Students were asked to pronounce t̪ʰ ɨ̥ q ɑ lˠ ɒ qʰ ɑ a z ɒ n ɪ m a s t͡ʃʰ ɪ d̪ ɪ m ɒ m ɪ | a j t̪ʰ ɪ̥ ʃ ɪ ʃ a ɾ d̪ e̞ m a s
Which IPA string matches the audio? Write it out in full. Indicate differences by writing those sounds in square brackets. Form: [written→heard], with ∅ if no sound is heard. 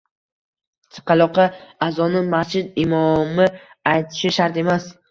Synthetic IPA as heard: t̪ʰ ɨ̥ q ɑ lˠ ɒ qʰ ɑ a z ɒ n ɪ m a s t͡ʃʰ ɪ d̪ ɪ m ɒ m ɪ | a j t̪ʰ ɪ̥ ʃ ɪ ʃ a ɾ [d̪→t̪] e̞ m a s